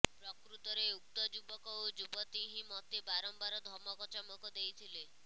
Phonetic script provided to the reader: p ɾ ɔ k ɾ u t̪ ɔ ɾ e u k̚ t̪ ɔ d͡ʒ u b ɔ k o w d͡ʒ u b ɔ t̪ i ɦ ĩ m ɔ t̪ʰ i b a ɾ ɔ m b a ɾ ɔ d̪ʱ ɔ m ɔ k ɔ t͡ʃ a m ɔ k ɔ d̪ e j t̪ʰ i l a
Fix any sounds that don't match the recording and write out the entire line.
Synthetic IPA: p ɾ ɔ k ɾ u t̪ ɔ ɾ e u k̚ t̪ ɔ d͡ʒ u b ɔ k ɔ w d͡ʒ u b ɔ t̪ i ɦ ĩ m ɔ t̪ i b a ɾ ɔ m b a ɾ ɔ d̪ʱ ɔ m ɔ k ɔ t͡ʃ a m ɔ k ɔ d̪ e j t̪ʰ i l e